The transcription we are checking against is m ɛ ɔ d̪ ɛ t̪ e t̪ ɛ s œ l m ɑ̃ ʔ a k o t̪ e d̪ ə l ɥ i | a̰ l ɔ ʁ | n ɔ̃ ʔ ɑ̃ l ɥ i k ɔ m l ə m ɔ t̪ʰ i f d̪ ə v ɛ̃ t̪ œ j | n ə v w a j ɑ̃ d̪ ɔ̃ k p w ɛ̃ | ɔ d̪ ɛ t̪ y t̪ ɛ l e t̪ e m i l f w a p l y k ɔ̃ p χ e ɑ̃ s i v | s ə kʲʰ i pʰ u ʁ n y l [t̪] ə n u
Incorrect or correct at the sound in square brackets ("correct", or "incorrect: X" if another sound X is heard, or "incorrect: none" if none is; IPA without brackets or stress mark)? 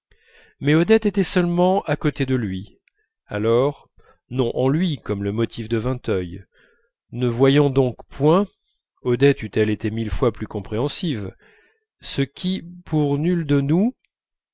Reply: incorrect: d̪